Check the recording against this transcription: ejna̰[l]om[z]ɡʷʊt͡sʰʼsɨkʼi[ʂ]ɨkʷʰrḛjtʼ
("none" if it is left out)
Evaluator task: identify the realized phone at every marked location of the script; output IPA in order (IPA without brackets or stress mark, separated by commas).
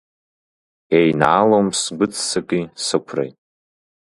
l, s, s